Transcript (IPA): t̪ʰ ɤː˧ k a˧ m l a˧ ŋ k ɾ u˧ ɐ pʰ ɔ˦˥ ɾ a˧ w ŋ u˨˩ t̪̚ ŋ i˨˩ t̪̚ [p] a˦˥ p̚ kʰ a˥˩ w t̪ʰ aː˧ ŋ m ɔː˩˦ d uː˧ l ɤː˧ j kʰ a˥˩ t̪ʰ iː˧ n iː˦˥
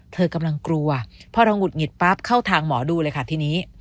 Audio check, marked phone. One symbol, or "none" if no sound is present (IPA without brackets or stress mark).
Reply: p